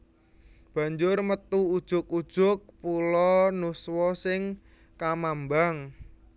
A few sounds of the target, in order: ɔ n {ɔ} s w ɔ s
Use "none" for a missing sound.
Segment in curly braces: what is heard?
u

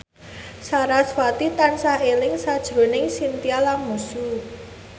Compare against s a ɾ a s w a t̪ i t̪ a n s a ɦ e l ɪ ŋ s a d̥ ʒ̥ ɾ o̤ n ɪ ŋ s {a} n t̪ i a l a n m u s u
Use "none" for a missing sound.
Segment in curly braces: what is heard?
i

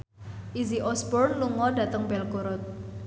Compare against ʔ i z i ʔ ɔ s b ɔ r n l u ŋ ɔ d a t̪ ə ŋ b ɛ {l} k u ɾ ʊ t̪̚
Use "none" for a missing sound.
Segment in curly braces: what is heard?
l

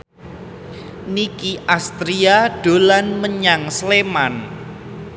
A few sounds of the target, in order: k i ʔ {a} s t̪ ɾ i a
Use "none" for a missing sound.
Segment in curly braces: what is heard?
a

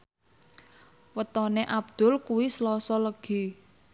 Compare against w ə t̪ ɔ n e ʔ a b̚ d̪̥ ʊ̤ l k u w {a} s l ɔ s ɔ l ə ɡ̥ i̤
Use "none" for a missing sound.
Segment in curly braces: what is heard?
i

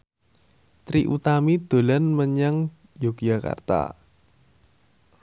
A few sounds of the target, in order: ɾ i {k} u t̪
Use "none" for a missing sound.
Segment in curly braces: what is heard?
ʔ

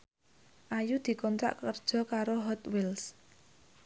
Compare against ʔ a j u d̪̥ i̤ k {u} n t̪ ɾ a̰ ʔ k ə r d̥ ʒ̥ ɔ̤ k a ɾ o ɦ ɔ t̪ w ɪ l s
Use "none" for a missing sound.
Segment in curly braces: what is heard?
ɔ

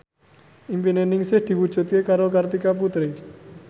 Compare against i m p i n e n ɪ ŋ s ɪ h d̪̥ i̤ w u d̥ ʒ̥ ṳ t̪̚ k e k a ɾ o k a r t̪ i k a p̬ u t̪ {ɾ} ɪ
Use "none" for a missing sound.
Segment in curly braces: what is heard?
ɾ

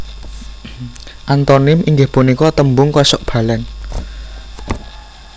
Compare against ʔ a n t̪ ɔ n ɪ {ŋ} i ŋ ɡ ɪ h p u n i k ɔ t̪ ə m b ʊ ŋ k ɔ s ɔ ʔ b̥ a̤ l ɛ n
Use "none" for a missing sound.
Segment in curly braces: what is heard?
m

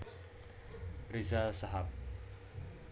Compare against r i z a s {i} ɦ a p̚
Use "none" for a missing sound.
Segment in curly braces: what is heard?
a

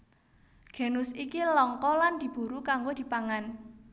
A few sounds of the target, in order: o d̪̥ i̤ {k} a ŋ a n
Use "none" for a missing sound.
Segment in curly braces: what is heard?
p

